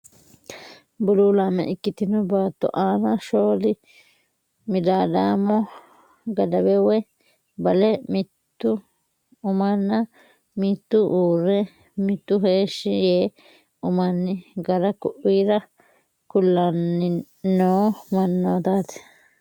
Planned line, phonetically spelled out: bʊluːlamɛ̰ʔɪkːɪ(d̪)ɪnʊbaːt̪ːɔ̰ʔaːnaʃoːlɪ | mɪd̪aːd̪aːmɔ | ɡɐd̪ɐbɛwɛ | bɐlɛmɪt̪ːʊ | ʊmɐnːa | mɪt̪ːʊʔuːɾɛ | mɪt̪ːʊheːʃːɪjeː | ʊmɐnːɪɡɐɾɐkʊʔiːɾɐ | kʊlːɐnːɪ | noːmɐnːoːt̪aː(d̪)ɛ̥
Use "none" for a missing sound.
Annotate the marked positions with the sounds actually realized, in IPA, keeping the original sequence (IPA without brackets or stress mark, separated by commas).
t̪, t̪